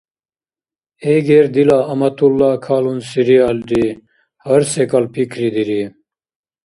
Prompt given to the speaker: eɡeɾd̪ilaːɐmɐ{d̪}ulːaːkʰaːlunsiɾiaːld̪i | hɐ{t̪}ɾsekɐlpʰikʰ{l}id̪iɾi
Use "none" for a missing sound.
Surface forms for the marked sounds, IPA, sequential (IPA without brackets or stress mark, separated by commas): t̪, none, ɾ